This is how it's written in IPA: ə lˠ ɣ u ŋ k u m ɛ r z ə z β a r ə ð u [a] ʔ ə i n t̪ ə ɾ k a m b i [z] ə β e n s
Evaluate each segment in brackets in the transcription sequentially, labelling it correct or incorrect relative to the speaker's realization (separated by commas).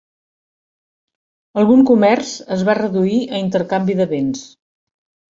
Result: incorrect, incorrect